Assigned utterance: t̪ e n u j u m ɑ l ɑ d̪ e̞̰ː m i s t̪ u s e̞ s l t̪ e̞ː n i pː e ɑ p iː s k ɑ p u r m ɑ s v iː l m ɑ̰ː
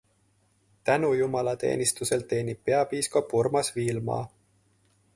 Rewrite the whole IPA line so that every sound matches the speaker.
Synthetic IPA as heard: t̪ æ n u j u m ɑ l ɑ t̪ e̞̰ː n i s t̪ u s e̞ l t̪ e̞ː n i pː e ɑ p iː s k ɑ p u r m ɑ s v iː l m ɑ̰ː